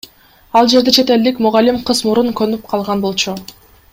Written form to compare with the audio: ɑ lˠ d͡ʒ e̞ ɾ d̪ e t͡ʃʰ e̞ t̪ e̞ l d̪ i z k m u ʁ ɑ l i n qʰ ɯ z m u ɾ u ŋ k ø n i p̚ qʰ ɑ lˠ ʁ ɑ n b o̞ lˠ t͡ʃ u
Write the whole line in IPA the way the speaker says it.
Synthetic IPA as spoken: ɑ lˠ d͡ʒ e̞ ɾ d̪ e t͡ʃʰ e̞ t̪ e̞ l d̪ i k m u ʁ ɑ l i m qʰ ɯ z m u ɾ u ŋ k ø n y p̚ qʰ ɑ lˠ ʁ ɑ n b o̞ lˠ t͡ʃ u

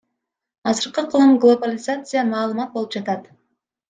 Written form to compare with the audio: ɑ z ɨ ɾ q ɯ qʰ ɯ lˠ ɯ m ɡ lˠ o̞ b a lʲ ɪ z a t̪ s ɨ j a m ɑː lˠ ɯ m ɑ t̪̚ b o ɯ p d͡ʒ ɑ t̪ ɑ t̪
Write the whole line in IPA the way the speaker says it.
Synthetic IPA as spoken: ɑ z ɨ ɾ q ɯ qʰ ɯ lˠ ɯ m ɡ lˠ o̞ b a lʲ ɪ z a t̪ s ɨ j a m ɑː lˠ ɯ m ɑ t̪̚ b o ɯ p d͡ʒ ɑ t̪ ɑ t̪

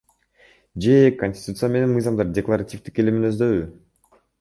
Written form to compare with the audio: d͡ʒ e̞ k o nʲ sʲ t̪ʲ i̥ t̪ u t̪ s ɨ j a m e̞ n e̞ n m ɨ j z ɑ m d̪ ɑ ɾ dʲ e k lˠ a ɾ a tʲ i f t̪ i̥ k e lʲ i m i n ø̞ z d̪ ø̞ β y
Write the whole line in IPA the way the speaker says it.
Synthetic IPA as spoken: d͡ʒ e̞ k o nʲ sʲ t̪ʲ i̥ t̪ u t̪ s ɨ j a m e̞ n e̞ n m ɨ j z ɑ m d̪ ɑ ɾ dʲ e k lˠ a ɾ a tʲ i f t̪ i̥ k e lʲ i m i n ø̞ z d̪ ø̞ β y

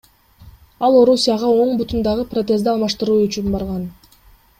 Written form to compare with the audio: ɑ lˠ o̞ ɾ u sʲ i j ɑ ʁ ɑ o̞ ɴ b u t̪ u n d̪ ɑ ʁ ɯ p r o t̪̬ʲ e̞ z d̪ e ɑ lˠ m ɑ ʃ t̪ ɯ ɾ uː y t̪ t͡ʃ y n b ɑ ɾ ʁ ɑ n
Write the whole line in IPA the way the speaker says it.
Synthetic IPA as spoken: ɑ lˠ o̞ ɾ u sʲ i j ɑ ʁ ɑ o̞ ɴ b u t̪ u n d̪ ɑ ʁ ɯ p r o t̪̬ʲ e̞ z d̪ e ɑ lˠ m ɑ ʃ t̪ ɯ ɾ uː y t͡ʃ y n b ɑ ɾ ʁ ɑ n

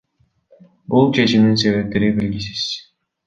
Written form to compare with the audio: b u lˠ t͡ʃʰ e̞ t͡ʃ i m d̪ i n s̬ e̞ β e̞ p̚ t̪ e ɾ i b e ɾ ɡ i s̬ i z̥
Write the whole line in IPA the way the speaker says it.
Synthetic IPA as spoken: b u lˠ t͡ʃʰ e̞ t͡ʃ i m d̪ i n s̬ e̞ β e̞ p̚ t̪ e ɾ i b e l ɡ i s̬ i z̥

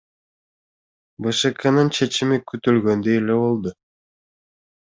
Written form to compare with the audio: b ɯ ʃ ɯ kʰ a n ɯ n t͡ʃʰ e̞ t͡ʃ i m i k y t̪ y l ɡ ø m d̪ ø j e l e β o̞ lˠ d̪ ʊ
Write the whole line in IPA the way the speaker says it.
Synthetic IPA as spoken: b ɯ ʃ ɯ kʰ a n ɯ n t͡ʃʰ e̞ t͡ʃ i m i k y t̪ y l ɡ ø n d̪ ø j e l e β o̞ lˠ d̪ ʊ

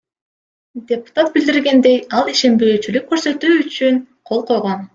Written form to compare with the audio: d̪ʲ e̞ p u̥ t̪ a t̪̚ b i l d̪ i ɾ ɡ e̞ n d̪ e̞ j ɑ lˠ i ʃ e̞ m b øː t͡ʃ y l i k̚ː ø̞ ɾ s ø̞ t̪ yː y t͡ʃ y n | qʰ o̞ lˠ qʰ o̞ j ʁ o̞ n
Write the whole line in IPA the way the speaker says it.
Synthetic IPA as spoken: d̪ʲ e̞ p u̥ t̪ a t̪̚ b i l d̪ i ɾ ɡ e̞ n d̪ e̞ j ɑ lˠ i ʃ e̞ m b øː t͡ʃ y l y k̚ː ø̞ ɾ s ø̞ t̪ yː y t͡ʃ y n | qʰ o̞ lˠ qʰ o̞ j ʁ o̞ n

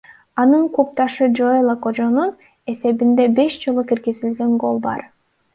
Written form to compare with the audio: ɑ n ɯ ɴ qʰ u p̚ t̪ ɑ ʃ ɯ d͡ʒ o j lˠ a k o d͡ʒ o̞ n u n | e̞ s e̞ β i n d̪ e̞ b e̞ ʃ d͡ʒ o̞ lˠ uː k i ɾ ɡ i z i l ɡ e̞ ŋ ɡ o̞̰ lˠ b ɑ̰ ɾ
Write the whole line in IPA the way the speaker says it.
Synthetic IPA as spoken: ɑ n ɯ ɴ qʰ u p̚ t̪ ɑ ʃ ɯ d͡ʒ o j lˠ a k o d͡ʒ o̞ n u n | e̞ s e̞ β i n d̪ e̞ b e̞ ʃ d͡ʒ o̞ lˠ u k i ɾ ɡ i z i l ɡ e̞ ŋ ɡ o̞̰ lˠ b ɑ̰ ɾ

